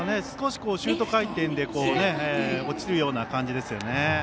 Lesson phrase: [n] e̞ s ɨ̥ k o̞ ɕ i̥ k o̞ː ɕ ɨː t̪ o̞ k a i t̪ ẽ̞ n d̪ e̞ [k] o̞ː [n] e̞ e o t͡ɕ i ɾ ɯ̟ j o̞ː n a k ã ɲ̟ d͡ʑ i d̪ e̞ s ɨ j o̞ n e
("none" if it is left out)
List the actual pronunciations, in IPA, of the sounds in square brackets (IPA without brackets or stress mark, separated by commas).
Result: n, k, n